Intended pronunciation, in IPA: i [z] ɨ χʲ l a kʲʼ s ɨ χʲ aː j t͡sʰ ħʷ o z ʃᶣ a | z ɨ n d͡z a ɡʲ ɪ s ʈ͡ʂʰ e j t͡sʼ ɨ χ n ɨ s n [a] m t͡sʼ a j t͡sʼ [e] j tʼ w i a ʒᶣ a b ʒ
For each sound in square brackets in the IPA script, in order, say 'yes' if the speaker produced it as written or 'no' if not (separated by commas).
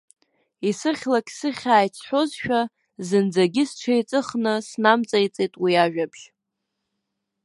no, yes, yes